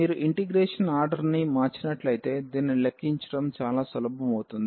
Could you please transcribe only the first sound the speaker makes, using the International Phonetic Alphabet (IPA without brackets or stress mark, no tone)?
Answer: iː